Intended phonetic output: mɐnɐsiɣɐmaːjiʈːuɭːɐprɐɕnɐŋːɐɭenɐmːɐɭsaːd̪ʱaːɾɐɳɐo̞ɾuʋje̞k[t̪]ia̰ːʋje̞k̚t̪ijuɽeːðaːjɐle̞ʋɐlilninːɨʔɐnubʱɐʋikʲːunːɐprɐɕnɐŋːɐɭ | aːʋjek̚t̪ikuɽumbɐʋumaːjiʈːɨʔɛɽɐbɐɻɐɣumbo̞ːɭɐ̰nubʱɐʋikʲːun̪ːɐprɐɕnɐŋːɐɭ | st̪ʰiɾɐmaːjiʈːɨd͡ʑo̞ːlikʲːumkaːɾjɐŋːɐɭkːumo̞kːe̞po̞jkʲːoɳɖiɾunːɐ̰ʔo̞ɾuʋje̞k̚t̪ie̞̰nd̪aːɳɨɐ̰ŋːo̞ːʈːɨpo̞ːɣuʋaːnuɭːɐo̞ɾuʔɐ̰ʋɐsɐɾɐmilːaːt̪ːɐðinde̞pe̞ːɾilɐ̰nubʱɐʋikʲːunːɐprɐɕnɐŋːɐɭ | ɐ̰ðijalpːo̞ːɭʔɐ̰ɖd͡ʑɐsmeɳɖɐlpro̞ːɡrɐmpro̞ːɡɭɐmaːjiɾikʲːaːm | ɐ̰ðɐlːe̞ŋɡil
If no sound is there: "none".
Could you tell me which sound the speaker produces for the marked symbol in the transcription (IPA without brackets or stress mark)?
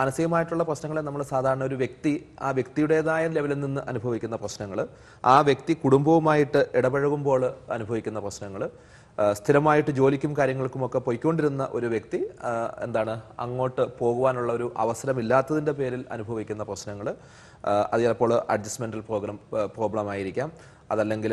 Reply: t̪